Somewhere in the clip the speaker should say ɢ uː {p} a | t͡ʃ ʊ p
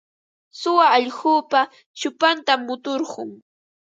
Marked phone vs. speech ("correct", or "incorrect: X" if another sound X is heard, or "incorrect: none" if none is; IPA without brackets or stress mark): correct